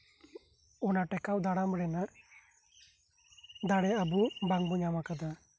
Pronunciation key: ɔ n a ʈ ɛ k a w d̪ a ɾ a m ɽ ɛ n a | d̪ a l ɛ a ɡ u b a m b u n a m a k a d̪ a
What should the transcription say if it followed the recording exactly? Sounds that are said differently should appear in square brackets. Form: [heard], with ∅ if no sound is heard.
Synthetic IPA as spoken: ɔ n a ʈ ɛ k a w d̪ a [ɽ] a m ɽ ɛ n a | d̪ a [ɽ] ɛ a [b] u b a [ŋ] b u [ɲ] a m a k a d̪ a